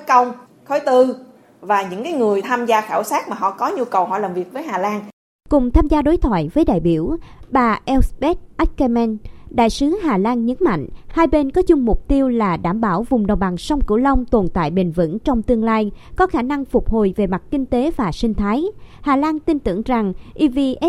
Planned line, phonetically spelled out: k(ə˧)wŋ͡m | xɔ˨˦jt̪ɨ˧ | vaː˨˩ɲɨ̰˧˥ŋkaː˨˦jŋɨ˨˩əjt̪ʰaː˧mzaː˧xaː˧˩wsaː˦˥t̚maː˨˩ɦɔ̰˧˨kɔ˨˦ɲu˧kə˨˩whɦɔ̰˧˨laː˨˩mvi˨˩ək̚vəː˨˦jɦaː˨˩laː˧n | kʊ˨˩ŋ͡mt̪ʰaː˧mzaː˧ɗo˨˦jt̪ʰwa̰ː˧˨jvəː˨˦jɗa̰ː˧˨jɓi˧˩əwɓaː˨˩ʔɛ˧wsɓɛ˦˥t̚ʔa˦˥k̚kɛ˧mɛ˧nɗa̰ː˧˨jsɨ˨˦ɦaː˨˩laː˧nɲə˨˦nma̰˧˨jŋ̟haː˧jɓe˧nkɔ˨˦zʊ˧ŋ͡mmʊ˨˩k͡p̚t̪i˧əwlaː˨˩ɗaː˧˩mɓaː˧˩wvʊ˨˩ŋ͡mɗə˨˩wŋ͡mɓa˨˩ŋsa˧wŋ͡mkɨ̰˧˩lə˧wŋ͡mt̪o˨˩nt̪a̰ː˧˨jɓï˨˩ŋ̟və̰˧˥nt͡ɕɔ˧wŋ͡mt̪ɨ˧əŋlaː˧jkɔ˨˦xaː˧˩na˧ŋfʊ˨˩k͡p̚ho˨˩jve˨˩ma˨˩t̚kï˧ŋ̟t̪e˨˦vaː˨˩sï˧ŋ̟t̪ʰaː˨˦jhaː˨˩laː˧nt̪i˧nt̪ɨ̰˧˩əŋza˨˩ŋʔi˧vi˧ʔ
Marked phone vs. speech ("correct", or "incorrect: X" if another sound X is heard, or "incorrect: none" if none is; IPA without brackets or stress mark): correct